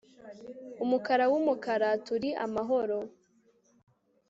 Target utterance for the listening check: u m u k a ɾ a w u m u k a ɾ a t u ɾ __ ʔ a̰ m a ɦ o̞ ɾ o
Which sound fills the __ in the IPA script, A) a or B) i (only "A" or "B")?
B